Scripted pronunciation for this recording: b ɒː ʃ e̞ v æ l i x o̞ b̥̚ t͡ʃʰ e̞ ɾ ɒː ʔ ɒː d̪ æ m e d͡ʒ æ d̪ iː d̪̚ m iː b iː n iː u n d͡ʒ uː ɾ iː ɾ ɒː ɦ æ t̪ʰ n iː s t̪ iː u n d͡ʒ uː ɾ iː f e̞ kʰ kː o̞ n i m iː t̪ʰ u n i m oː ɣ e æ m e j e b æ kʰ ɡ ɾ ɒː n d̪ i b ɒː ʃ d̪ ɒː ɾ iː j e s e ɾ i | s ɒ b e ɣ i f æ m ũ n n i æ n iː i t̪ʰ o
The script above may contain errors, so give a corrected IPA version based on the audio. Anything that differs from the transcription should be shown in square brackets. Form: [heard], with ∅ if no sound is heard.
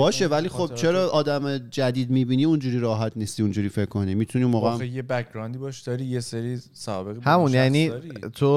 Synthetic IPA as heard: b ɒː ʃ e̞ v æ l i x o̞ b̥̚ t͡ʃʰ e̞ ɾ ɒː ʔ ɒː d̪ æ m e d͡ʒ æ d̪ iː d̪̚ m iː b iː n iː u n d͡ʒ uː ɾ iː ɾ ɒː ɦ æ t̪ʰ n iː s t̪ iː u n d͡ʒ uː ɾ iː f e̞ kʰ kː o̞ n i m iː t̪ʰ u n i m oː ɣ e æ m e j e b æ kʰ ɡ ɾ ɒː n d̪ i b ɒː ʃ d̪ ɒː ɾ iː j e s e ɾ i | s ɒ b e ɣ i [h] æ m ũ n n [j] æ n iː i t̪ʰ o